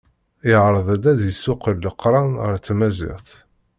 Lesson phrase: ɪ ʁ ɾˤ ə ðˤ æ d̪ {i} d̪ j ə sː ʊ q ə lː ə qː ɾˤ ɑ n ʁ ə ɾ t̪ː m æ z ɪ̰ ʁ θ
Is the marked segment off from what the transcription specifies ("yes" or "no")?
yes